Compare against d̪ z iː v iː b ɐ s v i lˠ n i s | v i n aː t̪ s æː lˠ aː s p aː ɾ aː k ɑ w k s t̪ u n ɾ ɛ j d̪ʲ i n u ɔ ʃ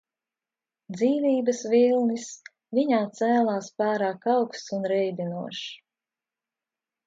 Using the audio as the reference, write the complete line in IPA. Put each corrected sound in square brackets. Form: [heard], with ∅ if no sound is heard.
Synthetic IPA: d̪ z iː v iː b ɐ s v i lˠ n i s | v i [ɲ] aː t̪ s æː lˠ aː s p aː ɾ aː k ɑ w k s t̪ u n ɾ ɛ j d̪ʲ i n u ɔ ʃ